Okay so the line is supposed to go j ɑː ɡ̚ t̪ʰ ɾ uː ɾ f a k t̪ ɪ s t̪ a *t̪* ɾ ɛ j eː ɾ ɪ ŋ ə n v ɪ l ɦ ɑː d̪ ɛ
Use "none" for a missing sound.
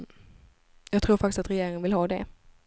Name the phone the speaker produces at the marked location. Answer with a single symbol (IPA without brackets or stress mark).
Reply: t̪